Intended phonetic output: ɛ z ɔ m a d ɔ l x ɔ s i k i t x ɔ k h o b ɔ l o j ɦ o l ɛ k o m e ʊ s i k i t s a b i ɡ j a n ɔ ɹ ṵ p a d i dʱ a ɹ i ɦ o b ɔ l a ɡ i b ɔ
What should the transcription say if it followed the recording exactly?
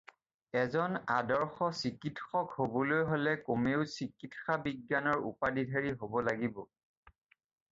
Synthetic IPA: ɛ z ɔ n a d ɔ ɹ x ɔ s i k i t x ɔ k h o b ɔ l o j ɦ o l ɛ k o m e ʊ s i k i t x a b i ɡ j a n ɔ ɹ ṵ p a d i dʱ a ɹ i ɦ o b ɔ l a ɡ i b ɔ